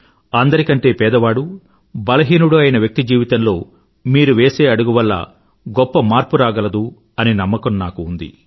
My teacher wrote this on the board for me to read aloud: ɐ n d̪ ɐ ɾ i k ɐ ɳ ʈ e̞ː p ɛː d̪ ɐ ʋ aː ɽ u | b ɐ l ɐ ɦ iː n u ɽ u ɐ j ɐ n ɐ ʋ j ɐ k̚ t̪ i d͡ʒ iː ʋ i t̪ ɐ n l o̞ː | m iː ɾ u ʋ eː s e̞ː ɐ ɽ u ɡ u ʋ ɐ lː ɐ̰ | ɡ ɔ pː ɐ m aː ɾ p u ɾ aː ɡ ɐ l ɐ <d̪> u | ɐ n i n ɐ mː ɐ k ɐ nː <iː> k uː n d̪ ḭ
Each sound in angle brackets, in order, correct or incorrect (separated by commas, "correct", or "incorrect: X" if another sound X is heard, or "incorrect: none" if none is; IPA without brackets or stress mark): correct, incorrect: aː